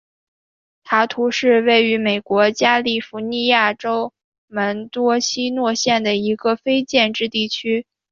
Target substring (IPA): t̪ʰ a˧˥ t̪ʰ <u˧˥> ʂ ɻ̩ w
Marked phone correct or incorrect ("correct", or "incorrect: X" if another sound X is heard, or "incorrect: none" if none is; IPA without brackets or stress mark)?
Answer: correct